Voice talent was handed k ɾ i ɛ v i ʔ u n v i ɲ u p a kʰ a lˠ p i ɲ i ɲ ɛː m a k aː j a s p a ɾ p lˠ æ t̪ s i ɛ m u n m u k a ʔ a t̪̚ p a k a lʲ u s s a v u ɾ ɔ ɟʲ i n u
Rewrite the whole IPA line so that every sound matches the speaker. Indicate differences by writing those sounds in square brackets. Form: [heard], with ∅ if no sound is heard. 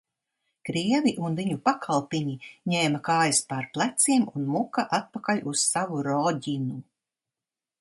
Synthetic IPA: k ɾ i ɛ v i ʔ u n v i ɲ u p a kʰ a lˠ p i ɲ i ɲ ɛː m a k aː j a s p a ɾ p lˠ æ t̪ s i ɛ m u n m u k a ʔ a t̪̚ p a k a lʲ u s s a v u ɾ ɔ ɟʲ i n u